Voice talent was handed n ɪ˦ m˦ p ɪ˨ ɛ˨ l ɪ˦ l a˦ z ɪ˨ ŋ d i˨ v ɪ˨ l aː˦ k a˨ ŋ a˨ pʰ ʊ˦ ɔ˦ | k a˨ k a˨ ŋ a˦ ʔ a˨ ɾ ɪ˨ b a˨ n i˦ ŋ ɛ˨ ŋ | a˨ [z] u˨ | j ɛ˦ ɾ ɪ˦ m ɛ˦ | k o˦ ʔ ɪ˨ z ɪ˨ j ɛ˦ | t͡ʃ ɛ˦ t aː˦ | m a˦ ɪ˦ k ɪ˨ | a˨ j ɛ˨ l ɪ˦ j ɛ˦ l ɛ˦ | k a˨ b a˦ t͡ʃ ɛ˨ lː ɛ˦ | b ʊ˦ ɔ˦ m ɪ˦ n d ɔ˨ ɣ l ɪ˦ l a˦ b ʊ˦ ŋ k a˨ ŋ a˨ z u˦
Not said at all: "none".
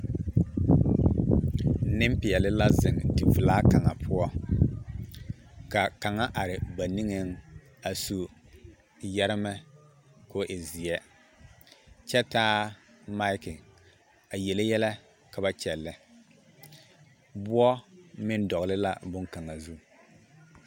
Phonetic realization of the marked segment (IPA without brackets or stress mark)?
s